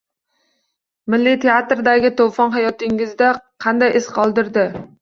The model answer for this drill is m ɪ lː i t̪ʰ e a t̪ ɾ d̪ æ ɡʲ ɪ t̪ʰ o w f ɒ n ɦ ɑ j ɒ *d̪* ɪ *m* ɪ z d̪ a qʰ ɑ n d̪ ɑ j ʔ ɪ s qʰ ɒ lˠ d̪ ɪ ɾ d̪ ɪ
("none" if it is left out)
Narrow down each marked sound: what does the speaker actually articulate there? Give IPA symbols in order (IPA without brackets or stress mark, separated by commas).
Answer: t̪, ŋ